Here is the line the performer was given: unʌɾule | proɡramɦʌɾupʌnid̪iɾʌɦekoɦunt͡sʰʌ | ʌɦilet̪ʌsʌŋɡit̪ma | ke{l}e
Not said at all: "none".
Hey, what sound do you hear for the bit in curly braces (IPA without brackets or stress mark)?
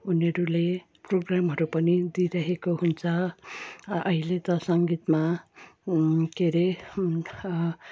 ɾ